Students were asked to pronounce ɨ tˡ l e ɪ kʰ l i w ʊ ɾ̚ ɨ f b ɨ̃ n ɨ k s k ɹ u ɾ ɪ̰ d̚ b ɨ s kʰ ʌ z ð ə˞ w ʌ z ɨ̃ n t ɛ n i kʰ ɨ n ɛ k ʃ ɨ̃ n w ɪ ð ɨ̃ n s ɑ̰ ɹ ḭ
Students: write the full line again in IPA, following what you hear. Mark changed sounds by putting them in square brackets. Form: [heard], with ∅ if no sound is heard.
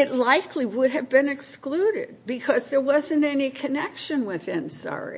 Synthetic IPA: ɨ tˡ l [a] ɪ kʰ l i w ʊ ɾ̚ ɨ [v] b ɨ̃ n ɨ k s k [l] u ɾ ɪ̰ d̚ b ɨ [∅] kʰ ʌ z ð ə˞ w ʌ z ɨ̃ n t ɛ n i kʰ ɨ n ɛ k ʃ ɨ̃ n w ɪ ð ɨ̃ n s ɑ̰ ɹ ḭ